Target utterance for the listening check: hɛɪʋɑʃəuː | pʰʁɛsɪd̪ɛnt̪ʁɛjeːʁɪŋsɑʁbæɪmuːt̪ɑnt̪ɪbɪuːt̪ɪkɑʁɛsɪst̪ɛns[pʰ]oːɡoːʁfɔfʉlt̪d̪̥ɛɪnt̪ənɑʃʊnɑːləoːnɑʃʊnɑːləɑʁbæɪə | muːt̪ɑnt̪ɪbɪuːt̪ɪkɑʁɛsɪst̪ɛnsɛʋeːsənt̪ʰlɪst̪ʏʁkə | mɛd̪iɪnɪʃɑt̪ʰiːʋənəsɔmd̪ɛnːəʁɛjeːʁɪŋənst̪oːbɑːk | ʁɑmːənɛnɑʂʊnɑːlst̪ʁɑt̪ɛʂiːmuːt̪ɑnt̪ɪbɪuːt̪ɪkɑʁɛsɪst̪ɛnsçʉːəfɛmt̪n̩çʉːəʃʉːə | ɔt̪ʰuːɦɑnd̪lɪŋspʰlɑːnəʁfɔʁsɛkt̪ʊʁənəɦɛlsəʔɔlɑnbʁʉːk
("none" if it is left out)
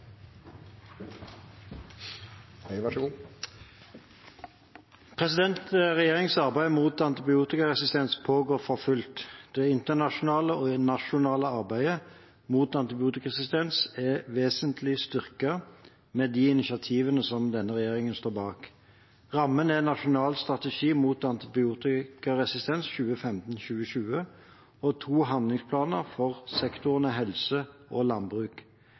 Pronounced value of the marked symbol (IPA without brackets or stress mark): pʰ